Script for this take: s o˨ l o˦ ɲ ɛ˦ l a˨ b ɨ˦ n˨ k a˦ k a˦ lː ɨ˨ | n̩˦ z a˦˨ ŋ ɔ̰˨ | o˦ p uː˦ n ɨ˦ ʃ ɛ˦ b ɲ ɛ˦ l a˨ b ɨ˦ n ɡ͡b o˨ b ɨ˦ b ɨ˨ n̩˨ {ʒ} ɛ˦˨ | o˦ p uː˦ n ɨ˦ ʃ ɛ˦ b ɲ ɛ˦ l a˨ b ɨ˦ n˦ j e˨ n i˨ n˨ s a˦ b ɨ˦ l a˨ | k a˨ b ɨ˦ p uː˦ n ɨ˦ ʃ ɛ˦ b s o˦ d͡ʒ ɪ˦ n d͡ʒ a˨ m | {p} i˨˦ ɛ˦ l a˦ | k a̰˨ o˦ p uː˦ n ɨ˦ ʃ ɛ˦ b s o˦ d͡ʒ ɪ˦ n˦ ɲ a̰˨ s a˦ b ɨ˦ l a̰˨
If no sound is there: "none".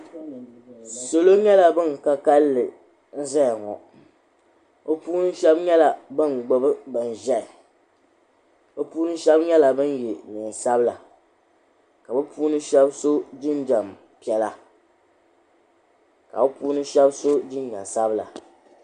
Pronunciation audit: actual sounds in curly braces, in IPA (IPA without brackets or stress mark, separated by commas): ʒ, p